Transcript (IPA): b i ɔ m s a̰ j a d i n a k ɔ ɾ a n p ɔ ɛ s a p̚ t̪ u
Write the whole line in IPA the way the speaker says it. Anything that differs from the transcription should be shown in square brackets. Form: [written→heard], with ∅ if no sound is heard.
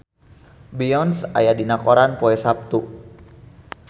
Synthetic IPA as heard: b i ɔ [m→n] s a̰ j a d i n a k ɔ ɾ a n p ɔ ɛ s a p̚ t̪ u